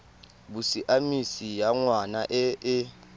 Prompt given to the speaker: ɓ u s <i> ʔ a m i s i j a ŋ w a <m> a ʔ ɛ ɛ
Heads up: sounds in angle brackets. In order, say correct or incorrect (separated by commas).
correct, incorrect